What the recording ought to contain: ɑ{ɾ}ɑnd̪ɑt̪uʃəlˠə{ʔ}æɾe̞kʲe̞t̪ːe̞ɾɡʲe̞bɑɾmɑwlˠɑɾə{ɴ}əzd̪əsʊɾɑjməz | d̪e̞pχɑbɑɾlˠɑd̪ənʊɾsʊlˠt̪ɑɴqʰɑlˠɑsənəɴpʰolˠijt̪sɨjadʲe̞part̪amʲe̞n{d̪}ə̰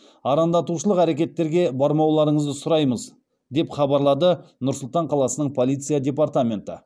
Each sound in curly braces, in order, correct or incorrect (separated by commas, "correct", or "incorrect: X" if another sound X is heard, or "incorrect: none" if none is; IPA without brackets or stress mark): correct, incorrect: q, correct, incorrect: t̪